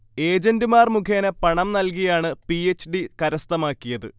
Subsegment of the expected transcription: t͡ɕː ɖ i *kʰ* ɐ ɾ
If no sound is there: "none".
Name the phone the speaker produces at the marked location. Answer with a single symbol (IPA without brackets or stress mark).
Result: k